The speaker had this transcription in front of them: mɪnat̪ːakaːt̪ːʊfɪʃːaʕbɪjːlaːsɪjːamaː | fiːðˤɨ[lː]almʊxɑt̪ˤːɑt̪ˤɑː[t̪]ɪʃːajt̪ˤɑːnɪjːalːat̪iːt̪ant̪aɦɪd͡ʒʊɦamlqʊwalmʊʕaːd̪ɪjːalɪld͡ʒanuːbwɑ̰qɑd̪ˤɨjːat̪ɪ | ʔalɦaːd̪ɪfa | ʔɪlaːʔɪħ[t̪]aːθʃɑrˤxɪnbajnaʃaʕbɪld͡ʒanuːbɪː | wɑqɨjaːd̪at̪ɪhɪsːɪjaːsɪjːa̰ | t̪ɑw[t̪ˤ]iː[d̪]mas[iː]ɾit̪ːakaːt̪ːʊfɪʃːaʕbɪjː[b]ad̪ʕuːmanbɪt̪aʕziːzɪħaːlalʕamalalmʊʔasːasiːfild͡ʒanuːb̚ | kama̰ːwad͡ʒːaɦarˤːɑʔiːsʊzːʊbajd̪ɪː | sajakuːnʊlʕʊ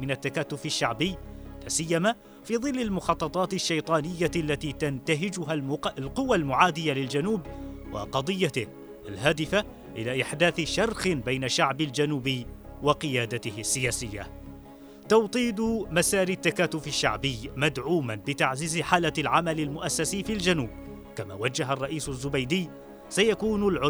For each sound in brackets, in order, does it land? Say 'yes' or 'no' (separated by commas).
yes, yes, no, yes, yes, no, no